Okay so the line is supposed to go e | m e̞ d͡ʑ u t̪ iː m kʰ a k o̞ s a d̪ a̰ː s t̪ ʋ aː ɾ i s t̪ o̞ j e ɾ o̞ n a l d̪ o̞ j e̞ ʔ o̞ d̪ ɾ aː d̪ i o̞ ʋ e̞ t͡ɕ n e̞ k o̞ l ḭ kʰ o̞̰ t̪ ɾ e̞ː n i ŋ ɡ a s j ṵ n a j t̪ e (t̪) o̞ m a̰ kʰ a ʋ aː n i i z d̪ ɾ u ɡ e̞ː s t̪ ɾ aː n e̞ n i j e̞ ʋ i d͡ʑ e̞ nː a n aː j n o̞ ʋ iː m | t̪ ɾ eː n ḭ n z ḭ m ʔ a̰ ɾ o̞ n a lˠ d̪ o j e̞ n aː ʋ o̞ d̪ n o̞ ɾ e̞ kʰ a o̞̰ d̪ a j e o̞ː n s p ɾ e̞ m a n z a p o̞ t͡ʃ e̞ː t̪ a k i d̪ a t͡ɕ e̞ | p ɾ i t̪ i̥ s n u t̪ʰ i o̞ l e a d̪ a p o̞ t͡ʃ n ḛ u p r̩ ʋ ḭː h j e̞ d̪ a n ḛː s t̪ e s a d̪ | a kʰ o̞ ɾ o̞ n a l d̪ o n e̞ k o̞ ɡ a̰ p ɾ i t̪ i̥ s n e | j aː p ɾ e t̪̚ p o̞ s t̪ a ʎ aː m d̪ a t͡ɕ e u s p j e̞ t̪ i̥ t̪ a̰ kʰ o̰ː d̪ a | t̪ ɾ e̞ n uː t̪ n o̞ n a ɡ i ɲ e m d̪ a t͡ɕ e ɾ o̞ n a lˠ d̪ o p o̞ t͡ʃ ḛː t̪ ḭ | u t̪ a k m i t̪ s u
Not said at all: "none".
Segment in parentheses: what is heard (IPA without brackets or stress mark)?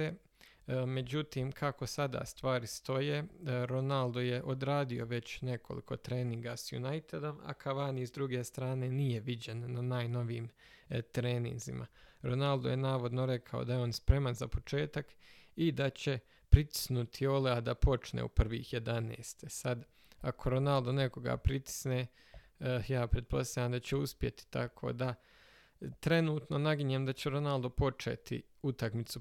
d̪